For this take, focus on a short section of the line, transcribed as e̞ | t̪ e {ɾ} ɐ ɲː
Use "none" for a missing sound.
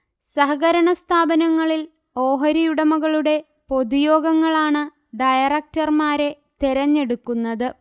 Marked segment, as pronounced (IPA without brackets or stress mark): ɾ